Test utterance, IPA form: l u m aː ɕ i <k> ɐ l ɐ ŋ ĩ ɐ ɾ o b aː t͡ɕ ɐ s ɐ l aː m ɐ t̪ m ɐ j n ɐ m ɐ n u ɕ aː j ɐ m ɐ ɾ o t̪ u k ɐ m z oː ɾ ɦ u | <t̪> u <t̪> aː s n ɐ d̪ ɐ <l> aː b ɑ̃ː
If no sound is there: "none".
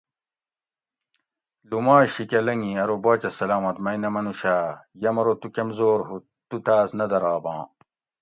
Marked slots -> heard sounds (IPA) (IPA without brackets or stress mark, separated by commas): k, t̪, t̪, ɾ